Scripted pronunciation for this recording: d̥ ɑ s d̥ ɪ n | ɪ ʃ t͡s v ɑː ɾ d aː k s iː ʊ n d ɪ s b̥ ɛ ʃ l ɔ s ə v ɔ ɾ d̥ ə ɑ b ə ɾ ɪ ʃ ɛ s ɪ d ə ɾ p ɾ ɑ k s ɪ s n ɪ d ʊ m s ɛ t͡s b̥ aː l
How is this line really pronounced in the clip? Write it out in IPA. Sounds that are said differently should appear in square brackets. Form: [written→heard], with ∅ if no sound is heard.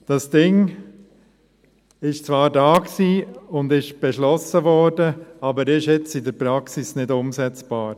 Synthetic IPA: d̥ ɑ s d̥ ɪ [n→ŋ] | ɪ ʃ t͡s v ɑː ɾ d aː k s iː ʊ n d ɪ [s→ʃ] b̥ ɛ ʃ l ɔ s ə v ɔ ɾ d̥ ə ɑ b ə ɾ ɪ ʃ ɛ [s→t͡s] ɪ d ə ɾ p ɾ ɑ k s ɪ s n ɪ d ʊ m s ɛ t͡s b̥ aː [l→ɾ]